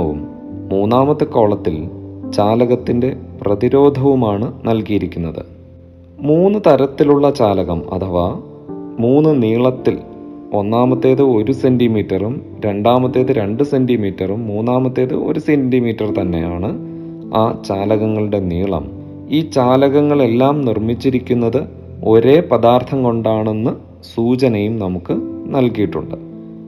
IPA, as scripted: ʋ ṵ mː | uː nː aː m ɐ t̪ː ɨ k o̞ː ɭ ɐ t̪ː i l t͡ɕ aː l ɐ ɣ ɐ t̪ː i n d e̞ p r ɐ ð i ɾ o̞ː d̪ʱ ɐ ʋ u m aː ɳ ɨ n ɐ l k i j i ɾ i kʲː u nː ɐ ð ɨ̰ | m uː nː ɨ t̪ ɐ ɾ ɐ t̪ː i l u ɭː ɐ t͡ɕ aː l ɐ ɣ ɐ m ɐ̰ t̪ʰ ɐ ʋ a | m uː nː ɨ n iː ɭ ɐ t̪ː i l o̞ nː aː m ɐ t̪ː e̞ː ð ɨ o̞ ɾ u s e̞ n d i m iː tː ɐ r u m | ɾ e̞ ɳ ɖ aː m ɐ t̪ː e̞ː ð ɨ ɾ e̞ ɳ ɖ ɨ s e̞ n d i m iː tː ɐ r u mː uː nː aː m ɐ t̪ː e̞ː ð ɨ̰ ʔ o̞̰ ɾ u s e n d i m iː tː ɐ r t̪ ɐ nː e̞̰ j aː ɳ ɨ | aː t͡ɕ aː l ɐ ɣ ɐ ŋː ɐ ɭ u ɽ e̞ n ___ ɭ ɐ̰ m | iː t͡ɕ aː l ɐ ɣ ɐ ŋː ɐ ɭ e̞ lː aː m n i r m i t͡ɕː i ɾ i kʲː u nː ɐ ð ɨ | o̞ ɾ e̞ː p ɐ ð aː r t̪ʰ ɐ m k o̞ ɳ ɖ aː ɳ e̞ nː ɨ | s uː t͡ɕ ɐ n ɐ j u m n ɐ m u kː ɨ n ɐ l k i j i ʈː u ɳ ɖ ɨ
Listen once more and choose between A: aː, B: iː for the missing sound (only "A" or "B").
B